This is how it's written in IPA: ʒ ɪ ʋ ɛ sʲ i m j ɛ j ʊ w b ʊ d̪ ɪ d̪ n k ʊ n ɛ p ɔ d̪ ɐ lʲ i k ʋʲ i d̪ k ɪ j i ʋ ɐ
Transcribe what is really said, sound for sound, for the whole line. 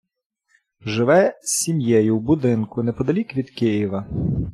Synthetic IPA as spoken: ʒ ɪ ʋ ɛ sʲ i m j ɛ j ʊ w b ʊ d̪ ɪ n k ʊ n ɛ p ɔ d̪ ɐ lʲ i k ʋʲ i d̪ k ɪ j i ʋ ɐ